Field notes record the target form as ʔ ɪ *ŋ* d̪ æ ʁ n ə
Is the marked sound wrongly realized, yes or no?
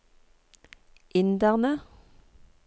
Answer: yes